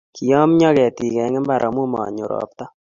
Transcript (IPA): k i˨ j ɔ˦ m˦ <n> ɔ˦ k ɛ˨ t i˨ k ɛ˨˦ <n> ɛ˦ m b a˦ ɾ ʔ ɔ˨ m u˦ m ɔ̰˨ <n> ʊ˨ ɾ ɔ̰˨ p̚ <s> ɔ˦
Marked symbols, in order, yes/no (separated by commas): no, no, no, no